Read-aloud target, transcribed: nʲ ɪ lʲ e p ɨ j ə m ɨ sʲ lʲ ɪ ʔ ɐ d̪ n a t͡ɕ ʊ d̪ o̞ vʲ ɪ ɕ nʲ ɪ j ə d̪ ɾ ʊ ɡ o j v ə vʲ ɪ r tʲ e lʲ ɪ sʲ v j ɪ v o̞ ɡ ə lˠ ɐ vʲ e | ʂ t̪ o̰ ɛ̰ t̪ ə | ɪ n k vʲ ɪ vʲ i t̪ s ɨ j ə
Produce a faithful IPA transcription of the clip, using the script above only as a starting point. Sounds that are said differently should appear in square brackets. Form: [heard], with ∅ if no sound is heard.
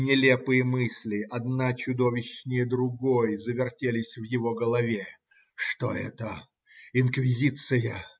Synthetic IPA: nʲ ɪ lʲ e p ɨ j ə m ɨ sʲ lʲ ɪ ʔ ɐ d̪ n a t͡ɕ ʊ d̪ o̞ vʲ ɪ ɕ nʲ ɪ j ə d̪ ɾ ʊ ɡ o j [z] ə vʲ ɪ r tʲ e lʲ ɪ sʲ v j ɪ v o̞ ɡ ə lˠ ɐ vʲ e | ʂ t̪ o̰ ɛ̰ t̪ ə | ɪ n k vʲ ɪ [zʲ] i t̪ s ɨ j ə

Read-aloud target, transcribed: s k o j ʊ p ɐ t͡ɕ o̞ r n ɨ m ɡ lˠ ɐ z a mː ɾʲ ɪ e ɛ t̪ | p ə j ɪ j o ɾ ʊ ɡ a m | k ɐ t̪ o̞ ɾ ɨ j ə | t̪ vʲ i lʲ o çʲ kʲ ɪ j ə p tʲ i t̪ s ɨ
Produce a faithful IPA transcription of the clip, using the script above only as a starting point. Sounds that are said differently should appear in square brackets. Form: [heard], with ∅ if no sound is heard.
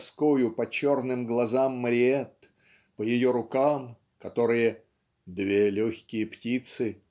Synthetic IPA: s k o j ʊ p ɐ t͡ɕ o̞ r n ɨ m ɡ lˠ ɐ z a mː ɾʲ ɪ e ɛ t̪ | p ə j ɪ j o ɾ ʊ [k] a m | k ɐ t̪ o̞ ɾ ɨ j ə | [d̪] vʲ [e] lʲ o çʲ kʲ ɪ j ə p tʲ i t̪ s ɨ

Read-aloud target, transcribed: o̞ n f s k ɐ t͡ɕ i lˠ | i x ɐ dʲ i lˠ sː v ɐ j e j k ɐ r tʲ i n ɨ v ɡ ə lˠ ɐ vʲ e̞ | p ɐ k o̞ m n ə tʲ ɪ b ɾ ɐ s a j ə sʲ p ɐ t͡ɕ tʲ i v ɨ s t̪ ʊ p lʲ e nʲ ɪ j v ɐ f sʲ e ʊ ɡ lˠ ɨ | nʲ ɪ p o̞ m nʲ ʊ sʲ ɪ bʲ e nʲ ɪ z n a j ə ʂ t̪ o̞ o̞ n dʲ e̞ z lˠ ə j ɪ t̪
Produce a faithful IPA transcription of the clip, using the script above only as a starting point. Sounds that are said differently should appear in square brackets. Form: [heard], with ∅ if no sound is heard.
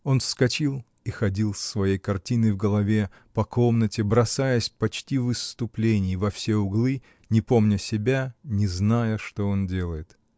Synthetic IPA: o̞ n f s k ɐ t͡ɕ i lˠ | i x ɐ dʲ i lˠ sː v ɐ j e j k ɐ r tʲ i n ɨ v ɡ ə lˠ ɐ vʲ e̞ | p ɐ k o̞ m n ə tʲ ɪ b ɾ ɐ s a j ə sʲ p ɐ t͡ɕ tʲ i v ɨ s t̪ ʊ p lʲ e nʲ ɪ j v ɐ f sʲ e ʊ ɡ lˠ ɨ | nʲ ɪ p o̞ m nʲ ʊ sʲ ɪ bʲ [a] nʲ ɪ z n a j ə ʂ t̪ o̞ o̞ n dʲ e̞ [∅] lˠ ə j ɪ t̪

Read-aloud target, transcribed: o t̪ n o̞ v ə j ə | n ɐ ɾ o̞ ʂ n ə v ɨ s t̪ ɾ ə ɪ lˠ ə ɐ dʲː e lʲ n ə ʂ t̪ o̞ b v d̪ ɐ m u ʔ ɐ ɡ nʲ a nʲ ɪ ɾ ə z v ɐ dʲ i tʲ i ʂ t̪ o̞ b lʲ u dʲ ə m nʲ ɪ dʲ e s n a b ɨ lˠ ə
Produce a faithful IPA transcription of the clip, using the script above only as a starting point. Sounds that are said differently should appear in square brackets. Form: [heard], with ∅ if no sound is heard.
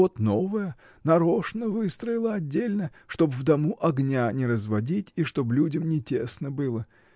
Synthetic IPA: o t̪ n o̞ v ə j ə | n ɐ ɾ o̞ ʂ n ə v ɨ s t̪ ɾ ə ɪ lˠ ə ɐ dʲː e lʲ n ə ʂ t̪ o̞ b v d̪ ɐ m u ʔ ɐ ɡ nʲ a nʲ ɪ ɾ ə z v ɐ dʲ i tʲ i ʂ t̪ o̞ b lʲ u dʲ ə m nʲ ɪ [tʲ] e s n [ə] b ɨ lˠ ə

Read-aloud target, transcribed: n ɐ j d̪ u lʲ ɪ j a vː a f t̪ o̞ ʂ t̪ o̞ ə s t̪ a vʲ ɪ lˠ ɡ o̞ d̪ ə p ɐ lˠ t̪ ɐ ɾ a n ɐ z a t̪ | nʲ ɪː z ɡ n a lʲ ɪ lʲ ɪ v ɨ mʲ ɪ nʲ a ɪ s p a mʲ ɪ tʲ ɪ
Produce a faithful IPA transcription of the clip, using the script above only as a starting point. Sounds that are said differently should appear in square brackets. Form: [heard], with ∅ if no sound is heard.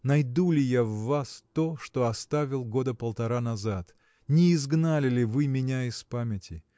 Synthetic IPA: n ɐ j d̪ u lʲ ɪ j a vː a [s] t̪ o̞ ʂ t̪ o̞ [ɐ] s t̪ a vʲ ɪ lˠ ɡ o̞ d̪ ə p [ə] lˠ t̪ ɐ ɾ a n ɐ z a t̪ | nʲ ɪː z ɡ n a lʲ ɪ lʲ ɪ v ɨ mʲ ɪ nʲ a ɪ s p a mʲ ɪ tʲ ɪ

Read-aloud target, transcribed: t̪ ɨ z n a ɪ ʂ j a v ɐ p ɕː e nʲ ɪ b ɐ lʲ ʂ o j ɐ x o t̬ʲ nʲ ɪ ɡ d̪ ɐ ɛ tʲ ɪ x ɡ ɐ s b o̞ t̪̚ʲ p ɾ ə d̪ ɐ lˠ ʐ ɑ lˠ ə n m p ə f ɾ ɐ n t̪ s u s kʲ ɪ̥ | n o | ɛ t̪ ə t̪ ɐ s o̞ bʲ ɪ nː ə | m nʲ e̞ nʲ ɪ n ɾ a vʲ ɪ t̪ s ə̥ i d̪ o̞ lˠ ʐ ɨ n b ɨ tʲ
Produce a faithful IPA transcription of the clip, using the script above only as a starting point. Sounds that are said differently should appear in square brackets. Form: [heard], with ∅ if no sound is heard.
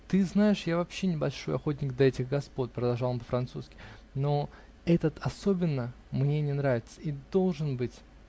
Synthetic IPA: t̪ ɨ z n a ɪ ʂ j a v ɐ p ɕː e nʲ ɪ b ɐ lʲ ʂ o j ɐ x o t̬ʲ nʲ ɪ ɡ d̪ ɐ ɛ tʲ ɪ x ɡ ɐ s [p] o̞ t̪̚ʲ p ɾ ə d̪ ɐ lˠ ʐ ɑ lˠ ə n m p ə f ɾ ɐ n t̪ s u s kʲ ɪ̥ | n o | ɛ t̪ ə t̪ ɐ s o̞ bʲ ɪ nː ə | m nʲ e̞ nʲ ɪ n ɾ a vʲ ɪ t̪ s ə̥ i d̪ o̞ lˠ ʐ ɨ n b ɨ tʲ

